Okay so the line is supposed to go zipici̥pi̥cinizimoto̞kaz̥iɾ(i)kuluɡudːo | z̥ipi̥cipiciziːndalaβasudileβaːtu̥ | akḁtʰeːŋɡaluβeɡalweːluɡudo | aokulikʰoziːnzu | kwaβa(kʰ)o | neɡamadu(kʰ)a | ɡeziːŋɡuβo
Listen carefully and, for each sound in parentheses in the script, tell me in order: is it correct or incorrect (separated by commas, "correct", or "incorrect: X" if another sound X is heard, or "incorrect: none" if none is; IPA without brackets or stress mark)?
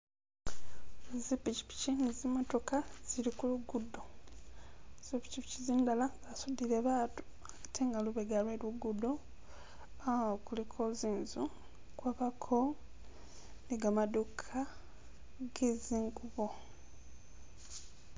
correct, correct, correct